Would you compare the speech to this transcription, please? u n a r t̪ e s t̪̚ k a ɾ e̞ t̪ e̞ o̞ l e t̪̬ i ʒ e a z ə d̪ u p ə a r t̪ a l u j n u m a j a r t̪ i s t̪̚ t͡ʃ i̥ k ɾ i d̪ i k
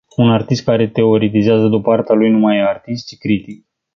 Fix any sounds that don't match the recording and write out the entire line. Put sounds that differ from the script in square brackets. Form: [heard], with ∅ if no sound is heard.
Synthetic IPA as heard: u n a r t̪ [i] s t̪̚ k a ɾ e̞ t̪ e̞ o̞ [ɾ] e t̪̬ i [z] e a z ə d̪ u p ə a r t̪ a l u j n u m a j a r t̪ i s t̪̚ t͡ʃ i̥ k ɾ i [t̪] i k